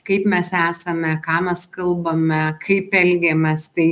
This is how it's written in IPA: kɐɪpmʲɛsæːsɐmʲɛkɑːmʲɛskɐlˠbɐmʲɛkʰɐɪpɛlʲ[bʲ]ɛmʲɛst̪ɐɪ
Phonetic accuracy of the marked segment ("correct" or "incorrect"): incorrect